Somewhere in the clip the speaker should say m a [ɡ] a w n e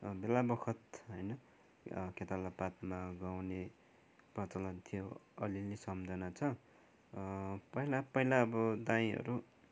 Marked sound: correct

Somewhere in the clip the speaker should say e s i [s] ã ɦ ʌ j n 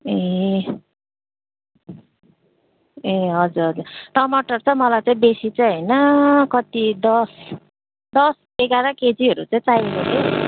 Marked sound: incorrect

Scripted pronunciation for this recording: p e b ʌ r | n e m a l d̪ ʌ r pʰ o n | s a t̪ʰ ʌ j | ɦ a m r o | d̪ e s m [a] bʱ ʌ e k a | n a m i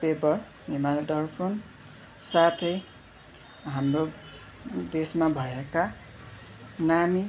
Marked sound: correct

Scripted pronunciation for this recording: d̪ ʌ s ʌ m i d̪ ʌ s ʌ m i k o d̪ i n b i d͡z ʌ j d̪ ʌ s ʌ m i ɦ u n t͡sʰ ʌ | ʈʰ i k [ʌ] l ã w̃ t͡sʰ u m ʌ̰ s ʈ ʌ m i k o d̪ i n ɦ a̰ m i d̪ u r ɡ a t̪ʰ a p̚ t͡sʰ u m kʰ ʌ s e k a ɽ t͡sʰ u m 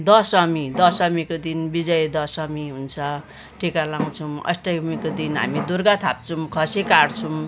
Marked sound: incorrect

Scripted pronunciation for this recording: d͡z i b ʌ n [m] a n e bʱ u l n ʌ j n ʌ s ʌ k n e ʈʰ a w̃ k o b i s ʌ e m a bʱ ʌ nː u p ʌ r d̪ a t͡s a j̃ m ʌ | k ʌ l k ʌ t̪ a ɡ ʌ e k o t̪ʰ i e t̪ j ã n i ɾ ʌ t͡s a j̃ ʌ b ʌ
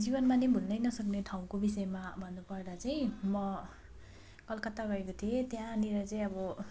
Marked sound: correct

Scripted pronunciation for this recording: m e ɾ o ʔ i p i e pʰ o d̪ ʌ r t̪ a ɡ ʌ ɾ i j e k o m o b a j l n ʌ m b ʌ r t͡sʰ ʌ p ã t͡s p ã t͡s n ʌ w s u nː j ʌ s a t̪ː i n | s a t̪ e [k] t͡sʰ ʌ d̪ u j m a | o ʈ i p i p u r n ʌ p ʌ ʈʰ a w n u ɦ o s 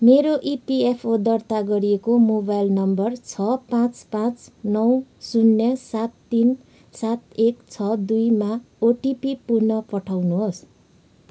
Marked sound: correct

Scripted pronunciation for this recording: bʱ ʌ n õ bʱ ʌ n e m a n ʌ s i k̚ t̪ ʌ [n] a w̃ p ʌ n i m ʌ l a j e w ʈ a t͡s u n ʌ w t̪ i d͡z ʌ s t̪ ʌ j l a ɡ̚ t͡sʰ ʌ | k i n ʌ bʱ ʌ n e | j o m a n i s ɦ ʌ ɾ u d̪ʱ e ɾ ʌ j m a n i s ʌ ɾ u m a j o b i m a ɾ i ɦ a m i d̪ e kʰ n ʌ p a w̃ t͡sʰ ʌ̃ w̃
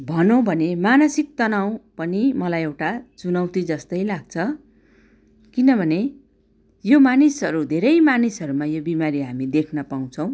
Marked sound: correct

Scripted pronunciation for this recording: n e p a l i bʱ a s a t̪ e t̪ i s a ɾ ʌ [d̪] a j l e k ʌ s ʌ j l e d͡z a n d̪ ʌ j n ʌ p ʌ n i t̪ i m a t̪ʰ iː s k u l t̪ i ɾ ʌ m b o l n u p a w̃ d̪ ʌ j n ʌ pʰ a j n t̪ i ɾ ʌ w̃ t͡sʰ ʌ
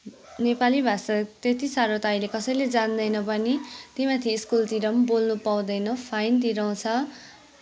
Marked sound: incorrect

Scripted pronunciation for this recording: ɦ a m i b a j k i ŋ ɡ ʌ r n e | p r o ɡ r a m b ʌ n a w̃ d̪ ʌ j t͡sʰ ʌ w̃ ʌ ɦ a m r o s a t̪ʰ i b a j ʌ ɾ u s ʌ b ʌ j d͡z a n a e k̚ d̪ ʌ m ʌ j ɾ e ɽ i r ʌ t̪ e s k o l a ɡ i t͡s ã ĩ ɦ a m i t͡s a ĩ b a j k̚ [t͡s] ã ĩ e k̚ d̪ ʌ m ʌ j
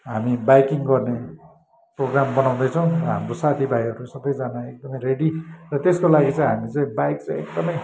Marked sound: correct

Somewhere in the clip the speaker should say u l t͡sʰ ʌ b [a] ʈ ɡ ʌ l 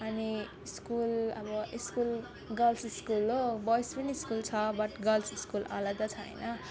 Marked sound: incorrect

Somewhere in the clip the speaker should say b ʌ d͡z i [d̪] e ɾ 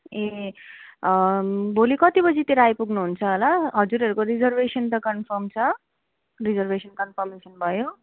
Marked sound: incorrect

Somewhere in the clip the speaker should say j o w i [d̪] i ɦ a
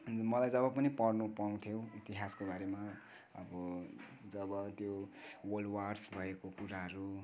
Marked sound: incorrect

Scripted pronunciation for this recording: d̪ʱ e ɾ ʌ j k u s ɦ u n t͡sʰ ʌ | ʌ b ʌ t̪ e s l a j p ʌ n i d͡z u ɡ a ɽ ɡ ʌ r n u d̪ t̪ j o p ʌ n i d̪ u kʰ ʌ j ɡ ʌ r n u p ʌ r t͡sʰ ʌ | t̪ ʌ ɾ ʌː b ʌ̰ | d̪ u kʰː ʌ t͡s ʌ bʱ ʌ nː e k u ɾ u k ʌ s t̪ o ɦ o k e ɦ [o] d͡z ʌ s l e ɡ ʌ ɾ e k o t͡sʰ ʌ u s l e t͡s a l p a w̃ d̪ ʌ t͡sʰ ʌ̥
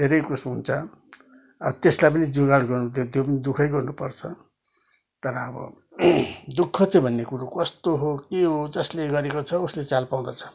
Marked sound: correct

